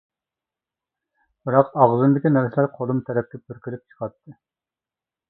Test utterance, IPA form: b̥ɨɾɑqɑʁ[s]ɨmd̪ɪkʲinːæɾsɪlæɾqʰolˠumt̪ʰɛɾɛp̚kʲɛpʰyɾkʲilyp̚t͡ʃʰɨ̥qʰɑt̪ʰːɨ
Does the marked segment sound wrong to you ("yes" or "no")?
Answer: yes